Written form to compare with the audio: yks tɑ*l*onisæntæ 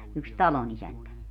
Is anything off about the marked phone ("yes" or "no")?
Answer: no